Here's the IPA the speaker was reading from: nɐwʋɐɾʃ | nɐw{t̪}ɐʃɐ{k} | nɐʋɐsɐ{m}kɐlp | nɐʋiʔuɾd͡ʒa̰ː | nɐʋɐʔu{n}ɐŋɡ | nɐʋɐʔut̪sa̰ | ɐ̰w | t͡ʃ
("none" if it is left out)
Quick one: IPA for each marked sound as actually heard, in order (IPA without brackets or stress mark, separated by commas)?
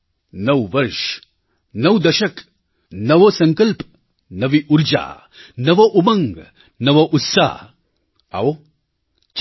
d̪, k, ŋ, m